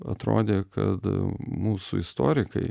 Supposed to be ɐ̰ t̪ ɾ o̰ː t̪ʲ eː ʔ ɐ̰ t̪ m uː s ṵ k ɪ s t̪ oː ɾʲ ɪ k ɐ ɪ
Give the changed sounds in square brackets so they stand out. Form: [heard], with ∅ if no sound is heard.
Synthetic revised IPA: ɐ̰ t̪ ɾ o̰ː [d̪ʲ] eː [k] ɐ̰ t̪ m uː s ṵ [∅] ɪ s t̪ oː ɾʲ ɪ k ɐ ɪ